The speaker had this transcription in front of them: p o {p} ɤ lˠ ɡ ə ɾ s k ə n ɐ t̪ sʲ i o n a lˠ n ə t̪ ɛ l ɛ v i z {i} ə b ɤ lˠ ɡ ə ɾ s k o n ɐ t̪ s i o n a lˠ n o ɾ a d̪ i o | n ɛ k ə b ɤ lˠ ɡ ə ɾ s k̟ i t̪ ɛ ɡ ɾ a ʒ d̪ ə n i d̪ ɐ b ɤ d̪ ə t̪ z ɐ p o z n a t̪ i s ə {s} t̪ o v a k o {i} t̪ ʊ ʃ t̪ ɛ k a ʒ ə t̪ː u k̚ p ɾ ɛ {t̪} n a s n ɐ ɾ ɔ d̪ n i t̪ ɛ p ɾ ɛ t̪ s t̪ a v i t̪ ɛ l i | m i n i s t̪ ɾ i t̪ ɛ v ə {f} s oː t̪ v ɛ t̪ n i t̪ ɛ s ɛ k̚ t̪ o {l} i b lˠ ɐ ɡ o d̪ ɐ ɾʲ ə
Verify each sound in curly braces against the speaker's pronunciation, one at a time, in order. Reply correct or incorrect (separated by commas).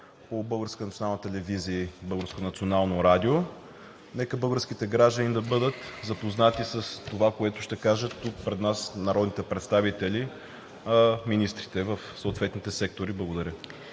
incorrect, correct, correct, incorrect, incorrect, correct, incorrect